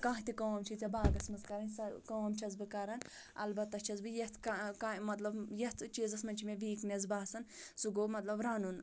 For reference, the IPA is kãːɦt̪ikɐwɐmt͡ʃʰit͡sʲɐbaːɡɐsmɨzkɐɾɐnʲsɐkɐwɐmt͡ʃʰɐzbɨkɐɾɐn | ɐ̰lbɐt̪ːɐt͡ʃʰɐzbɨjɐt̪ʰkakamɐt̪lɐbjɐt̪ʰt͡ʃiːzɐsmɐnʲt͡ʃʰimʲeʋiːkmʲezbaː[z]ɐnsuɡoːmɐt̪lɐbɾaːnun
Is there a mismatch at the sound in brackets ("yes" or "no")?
yes